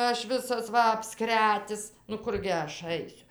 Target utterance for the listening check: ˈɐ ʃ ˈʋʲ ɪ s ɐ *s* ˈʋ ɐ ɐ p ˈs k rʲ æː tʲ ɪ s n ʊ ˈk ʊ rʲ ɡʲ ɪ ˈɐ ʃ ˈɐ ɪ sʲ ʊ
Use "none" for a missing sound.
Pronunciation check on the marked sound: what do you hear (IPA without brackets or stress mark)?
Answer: s